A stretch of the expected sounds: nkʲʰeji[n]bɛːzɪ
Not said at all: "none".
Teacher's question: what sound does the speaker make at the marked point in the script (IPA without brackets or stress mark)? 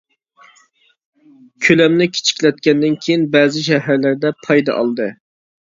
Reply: n